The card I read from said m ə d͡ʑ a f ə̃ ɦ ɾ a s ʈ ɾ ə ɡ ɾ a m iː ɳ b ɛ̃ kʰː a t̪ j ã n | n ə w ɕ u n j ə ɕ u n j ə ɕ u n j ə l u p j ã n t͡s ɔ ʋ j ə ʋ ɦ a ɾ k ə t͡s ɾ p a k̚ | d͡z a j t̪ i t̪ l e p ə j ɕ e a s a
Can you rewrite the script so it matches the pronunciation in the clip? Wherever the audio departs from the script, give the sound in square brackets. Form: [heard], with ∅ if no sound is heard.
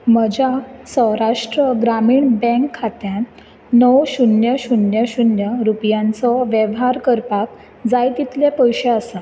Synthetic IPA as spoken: m ə d͡ʑ a [s] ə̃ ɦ ɾ a [ʂ] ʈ ɾ ə ɡ ɾ a m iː ɳ b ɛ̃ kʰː a t̪ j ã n | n ə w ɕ u n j ə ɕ u n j ə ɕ u n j ə [ɾ] u p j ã n t͡s ɔ ʋ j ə ʋ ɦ a ɾ k ə [∅] ɾ p a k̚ | d͡z a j t̪ i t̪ l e p ə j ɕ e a s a